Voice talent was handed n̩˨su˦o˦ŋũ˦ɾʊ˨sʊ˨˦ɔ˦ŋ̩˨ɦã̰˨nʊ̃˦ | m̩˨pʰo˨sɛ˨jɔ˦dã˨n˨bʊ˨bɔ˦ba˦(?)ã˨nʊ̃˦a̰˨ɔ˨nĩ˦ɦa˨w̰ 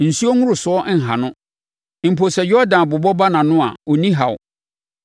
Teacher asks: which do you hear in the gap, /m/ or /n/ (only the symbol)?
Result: n